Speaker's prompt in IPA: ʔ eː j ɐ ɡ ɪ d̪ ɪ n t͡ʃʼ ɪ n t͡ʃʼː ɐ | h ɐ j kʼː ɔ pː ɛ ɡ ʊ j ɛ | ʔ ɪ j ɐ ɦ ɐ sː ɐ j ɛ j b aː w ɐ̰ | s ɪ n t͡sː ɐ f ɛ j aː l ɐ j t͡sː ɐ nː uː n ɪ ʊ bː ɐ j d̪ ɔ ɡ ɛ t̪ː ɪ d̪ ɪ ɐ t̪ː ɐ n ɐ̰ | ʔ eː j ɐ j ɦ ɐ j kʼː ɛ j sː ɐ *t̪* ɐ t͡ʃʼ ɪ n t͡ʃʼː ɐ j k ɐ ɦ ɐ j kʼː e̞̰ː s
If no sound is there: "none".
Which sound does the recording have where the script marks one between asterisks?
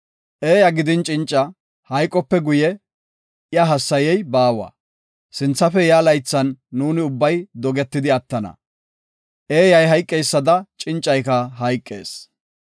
d̪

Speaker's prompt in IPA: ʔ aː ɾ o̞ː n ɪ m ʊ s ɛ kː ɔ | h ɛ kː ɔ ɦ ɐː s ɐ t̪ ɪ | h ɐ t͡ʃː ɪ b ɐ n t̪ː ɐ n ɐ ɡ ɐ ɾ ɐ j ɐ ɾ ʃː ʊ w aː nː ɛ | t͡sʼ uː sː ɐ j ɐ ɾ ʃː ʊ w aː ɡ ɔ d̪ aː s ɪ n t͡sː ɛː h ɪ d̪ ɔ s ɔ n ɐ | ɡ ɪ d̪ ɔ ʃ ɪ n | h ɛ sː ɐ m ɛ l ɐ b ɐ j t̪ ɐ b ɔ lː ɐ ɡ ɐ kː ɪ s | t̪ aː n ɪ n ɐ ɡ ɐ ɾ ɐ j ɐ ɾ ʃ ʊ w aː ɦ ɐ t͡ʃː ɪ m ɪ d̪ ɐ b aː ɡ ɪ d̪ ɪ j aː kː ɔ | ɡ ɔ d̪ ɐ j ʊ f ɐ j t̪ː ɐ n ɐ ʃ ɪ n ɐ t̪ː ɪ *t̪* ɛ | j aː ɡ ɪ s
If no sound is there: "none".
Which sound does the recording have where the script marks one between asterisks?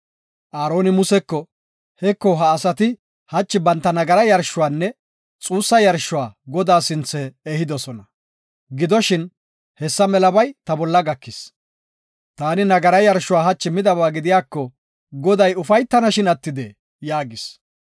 d̪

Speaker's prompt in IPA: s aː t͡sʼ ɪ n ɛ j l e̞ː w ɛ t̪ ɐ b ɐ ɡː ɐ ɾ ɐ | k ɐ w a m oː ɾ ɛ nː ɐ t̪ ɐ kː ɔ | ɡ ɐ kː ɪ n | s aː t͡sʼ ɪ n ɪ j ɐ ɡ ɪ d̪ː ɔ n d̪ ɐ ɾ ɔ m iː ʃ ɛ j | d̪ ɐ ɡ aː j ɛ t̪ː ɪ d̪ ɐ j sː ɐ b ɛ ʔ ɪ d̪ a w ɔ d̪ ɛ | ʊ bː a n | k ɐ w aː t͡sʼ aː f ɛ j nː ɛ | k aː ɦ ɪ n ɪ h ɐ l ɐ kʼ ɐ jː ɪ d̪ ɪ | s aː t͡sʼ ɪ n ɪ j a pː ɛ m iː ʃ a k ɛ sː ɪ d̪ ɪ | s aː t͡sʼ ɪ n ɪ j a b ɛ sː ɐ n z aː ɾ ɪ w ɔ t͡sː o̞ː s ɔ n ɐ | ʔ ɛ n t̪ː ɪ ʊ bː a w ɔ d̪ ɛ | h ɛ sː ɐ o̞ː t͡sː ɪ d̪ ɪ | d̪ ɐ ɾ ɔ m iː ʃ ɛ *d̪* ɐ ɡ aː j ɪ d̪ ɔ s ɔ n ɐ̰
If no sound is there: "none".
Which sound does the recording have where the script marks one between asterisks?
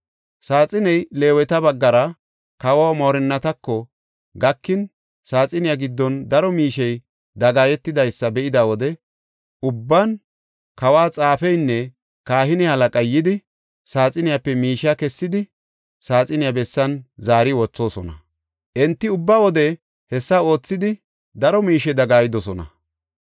d̪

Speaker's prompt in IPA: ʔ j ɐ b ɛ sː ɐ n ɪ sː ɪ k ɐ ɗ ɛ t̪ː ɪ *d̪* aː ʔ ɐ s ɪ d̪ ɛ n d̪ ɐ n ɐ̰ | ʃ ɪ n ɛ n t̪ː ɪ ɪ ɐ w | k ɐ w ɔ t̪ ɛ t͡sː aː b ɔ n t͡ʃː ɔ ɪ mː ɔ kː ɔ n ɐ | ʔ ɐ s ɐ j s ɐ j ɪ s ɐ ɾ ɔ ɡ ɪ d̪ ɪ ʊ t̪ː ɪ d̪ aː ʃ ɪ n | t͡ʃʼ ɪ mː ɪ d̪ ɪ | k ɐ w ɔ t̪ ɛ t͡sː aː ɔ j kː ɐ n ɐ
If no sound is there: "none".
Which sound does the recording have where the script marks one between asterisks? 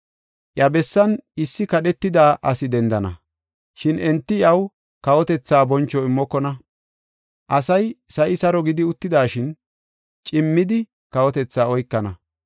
d̪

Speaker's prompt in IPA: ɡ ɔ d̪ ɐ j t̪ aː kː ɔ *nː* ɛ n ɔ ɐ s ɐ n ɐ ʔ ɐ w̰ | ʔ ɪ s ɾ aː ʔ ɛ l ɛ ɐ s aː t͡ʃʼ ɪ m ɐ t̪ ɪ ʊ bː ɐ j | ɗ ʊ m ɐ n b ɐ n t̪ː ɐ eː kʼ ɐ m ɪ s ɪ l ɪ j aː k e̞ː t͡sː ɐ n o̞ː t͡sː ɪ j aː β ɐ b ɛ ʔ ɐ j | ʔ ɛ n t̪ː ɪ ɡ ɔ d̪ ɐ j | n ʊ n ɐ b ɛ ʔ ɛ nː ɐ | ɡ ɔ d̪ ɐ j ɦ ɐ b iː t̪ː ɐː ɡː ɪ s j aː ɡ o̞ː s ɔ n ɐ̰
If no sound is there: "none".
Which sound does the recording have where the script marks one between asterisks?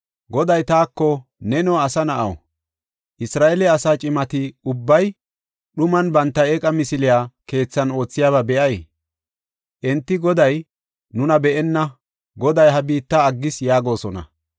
n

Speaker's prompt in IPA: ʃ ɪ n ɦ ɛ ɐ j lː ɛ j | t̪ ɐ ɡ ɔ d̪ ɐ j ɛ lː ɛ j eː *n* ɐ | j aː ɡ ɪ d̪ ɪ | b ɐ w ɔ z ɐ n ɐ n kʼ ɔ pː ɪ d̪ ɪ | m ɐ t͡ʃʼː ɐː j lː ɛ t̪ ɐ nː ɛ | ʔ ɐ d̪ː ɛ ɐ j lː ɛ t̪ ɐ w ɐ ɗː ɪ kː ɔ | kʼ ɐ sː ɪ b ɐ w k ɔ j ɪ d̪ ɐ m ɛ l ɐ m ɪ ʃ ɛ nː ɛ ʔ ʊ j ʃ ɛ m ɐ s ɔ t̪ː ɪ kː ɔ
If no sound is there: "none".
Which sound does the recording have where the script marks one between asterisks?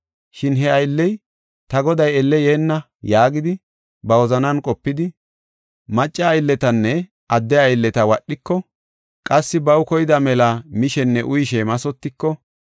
nː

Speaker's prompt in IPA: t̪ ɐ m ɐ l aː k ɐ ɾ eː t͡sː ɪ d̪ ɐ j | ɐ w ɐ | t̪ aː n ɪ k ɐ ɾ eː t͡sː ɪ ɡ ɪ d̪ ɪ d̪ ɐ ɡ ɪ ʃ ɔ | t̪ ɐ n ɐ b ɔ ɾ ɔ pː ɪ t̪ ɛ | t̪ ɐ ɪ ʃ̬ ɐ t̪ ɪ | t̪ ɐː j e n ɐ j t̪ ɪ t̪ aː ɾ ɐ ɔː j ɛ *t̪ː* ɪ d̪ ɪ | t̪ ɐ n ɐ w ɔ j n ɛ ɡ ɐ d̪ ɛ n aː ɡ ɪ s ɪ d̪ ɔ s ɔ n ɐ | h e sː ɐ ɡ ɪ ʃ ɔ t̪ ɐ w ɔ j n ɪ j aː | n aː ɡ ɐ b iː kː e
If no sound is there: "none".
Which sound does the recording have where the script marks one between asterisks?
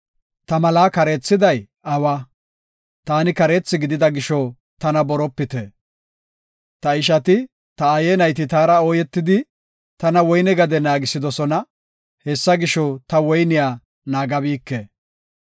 t̪ː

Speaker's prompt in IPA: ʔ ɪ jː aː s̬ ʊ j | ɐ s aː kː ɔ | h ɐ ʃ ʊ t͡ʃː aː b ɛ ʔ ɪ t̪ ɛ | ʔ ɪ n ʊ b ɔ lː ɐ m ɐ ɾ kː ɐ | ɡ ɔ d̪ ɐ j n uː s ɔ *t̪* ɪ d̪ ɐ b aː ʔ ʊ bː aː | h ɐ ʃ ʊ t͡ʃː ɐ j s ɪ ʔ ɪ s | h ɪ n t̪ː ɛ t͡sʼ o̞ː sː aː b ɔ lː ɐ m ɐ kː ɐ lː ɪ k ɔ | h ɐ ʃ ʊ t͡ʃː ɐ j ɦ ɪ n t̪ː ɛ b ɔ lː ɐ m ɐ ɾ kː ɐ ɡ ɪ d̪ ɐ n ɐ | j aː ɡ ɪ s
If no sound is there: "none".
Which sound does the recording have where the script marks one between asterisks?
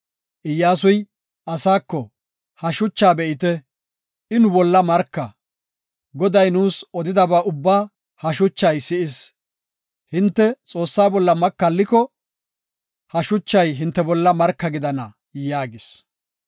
d̪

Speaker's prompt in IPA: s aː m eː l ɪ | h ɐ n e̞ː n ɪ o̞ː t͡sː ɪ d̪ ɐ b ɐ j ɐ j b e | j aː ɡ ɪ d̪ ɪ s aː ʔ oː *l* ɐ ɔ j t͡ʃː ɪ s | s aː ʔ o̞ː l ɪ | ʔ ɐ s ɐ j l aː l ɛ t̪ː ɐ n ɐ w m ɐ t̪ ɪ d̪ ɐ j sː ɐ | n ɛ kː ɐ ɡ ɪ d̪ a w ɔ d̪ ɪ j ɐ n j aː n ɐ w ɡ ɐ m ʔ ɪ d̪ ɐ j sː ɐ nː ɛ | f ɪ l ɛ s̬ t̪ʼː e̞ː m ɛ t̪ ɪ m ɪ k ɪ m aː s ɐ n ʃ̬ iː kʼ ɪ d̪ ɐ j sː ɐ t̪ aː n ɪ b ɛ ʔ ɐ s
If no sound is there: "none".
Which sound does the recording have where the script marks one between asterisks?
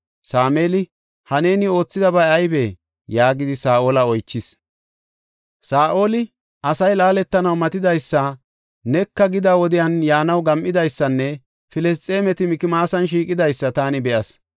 l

